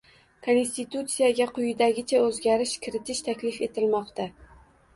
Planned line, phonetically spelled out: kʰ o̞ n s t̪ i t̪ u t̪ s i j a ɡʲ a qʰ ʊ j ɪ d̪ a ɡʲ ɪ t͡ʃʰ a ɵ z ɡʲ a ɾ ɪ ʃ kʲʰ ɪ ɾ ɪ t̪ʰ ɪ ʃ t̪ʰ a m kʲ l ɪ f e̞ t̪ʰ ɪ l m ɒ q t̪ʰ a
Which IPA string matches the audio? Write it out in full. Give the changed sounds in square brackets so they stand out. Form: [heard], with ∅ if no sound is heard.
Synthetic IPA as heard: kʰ o̞ n s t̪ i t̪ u t̪ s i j a ɡʲ a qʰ ʊ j ɪ d̪ a ɡʲ ɪ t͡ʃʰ a ɵ z ɡʲ a ɾ ɪ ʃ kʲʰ ɪ ɾ ɪ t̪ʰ ɪ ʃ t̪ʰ a [∅] kʲ l ɪ f e̞ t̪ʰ ɪ l m ɒ q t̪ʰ a